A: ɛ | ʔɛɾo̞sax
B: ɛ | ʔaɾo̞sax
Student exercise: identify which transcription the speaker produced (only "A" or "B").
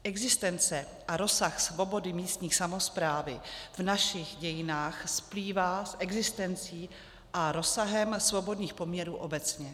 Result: B